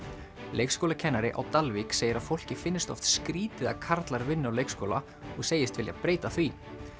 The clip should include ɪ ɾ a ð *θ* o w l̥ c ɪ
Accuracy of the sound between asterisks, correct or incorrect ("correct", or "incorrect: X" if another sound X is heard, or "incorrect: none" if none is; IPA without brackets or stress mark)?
incorrect: f